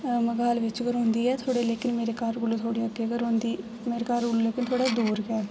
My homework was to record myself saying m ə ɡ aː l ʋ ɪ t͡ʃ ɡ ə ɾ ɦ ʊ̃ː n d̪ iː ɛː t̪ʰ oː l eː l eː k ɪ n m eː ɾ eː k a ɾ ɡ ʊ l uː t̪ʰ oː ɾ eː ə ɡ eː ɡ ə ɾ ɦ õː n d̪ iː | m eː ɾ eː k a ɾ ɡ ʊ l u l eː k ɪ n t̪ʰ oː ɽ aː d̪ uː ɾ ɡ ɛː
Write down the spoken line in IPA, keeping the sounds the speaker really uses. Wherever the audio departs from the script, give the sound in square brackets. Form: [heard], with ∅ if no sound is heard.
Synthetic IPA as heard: m ə ɡ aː l ʋ ɪ t͡ʃ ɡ ə ɾ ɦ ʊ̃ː n d̪ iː ɛː t̪ʰ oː [ɽ] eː l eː k ɪ n m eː ɾ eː k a ɾ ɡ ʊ l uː t̪ʰ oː [ɽ] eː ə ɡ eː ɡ ə ɾ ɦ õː n d̪ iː | m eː ɾ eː k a ɾ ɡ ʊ l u l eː k ɪ n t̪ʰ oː ɽ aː d̪ uː ɾ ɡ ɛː